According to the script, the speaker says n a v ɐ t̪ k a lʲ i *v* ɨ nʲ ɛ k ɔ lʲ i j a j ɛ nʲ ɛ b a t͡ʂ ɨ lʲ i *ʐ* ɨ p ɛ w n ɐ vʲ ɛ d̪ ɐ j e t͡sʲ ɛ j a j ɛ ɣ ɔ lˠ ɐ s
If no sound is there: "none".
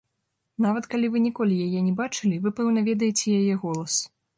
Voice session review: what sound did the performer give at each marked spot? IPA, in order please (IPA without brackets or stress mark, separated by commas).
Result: v, v